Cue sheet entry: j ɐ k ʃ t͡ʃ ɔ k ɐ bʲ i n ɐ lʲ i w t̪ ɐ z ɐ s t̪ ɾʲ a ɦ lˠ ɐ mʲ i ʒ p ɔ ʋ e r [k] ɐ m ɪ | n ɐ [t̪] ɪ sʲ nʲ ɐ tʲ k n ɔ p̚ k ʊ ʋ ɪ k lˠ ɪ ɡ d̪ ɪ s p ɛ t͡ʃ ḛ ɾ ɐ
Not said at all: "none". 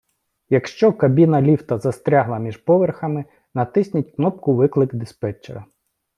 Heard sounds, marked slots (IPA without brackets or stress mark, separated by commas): x, t̪